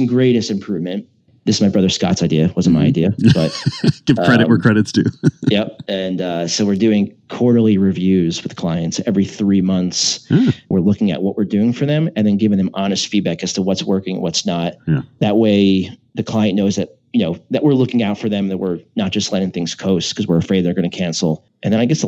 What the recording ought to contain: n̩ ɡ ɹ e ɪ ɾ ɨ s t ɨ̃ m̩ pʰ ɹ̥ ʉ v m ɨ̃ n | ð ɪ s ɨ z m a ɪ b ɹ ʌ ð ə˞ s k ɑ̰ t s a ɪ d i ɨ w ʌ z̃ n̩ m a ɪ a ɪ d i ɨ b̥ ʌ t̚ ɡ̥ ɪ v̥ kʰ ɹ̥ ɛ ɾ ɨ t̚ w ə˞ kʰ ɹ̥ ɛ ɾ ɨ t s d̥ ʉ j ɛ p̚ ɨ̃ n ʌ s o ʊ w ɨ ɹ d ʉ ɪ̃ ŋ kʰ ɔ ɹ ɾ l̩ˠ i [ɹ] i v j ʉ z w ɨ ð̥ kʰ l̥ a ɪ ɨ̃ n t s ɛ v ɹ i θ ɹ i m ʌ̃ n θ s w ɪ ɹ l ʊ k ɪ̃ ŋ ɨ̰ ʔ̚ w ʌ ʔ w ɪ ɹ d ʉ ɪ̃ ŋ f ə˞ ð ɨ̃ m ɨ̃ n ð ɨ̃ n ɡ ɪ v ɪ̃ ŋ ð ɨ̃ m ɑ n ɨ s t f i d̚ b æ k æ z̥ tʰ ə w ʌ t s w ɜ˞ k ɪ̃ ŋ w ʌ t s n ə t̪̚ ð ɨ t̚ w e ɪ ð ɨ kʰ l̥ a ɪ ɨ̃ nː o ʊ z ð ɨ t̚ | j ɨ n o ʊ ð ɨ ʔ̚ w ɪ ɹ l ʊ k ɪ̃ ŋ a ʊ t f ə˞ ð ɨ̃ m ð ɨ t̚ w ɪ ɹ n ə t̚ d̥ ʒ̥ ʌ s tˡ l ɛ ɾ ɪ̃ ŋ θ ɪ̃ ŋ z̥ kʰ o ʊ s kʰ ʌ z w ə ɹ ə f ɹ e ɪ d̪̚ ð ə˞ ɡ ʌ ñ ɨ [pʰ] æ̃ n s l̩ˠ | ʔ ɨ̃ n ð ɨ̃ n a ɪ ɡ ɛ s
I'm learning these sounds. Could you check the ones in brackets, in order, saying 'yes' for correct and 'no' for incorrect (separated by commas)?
yes, no